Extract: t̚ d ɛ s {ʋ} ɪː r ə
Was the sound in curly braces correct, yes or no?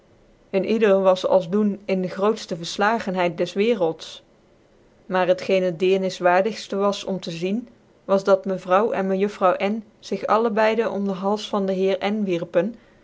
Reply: yes